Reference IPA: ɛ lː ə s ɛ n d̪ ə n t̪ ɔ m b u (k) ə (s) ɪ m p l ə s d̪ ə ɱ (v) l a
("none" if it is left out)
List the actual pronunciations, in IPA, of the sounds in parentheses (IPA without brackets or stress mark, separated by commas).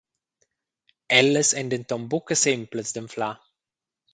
k, s, f